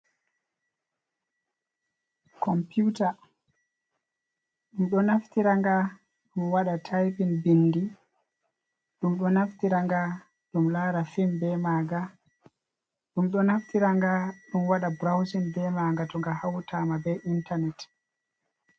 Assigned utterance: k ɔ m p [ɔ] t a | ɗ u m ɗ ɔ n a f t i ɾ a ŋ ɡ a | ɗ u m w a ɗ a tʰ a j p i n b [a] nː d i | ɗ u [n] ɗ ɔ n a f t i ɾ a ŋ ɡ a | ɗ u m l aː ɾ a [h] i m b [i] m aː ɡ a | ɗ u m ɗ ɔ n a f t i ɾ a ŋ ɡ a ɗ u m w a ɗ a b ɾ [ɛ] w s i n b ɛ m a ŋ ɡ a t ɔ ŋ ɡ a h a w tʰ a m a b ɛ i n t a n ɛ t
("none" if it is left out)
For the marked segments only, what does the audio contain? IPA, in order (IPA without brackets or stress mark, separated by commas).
u, i, m, f, ɛ, a